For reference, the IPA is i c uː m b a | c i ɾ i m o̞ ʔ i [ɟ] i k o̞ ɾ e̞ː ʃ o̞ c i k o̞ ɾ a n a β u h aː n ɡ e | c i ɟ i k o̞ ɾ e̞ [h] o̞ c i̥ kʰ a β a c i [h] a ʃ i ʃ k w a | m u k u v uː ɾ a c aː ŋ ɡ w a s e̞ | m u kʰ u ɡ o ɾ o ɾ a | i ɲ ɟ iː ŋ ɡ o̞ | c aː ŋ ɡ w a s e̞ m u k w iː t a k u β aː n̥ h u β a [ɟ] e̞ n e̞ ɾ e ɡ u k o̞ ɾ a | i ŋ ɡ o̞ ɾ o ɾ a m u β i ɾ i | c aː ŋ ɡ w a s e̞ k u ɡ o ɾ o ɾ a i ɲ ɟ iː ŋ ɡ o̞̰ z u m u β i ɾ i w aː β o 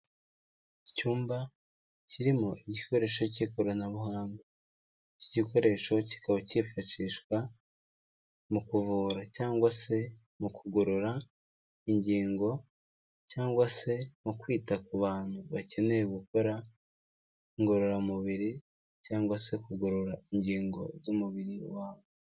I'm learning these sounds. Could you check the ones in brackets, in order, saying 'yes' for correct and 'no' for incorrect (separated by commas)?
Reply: yes, no, no, no